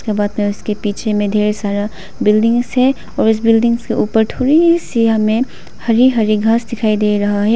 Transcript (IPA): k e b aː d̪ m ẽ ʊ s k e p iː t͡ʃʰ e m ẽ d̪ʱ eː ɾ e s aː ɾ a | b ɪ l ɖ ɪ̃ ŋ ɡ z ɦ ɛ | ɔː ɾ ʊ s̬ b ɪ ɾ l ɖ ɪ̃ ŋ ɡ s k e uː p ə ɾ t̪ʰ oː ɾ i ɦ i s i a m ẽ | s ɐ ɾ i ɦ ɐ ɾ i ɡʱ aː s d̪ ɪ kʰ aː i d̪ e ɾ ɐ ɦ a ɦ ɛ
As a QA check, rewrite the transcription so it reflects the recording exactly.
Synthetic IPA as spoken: k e b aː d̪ m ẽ ʊ s k e p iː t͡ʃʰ e m ẽ d̪ʱ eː ɾ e s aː ɾ a | b ɪ l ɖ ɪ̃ ŋ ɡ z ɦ ɛ | ɔː ɾ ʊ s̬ b ɪ l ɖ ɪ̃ ŋ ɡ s k e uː p ə ɾ t̪ʰ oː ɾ i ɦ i s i a m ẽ | h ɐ ɾ i ɦ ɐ ɾ i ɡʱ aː s d̪ ɪ kʰ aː i d̪ e ɾ ɐ ɦ a ɦ ɛ